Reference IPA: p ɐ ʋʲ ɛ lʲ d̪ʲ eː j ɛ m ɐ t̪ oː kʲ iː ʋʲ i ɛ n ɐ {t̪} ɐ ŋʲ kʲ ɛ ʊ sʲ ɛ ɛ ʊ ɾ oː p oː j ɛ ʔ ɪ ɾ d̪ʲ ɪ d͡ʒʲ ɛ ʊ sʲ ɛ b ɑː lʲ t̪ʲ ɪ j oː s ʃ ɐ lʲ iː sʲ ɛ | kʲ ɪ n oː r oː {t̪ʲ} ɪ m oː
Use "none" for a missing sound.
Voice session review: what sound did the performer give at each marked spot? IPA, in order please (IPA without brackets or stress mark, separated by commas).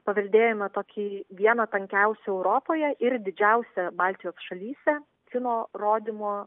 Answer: t̪, d̪ʲ